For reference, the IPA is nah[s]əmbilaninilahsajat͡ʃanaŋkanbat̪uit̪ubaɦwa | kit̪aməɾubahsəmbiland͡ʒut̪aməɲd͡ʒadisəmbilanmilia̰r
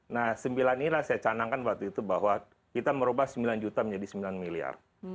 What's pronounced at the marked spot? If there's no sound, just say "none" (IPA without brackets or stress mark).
s